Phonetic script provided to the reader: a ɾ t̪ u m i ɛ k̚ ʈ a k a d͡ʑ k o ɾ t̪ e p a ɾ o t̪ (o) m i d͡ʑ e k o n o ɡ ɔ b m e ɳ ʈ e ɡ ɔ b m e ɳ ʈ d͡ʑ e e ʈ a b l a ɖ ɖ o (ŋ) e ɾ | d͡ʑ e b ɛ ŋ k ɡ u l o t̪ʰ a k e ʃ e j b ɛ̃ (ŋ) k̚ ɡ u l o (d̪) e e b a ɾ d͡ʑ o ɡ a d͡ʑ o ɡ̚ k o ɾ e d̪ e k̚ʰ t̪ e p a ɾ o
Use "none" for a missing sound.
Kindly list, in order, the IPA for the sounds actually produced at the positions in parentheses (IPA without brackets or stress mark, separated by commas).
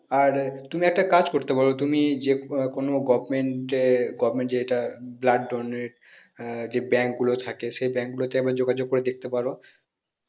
u, n, ŋ, t̪